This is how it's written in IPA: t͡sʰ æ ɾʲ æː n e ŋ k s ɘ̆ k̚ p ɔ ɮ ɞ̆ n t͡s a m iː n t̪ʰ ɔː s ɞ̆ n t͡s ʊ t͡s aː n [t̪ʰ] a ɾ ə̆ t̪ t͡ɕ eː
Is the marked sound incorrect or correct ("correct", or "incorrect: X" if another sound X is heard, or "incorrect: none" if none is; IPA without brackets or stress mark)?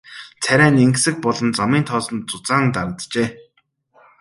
incorrect: t̪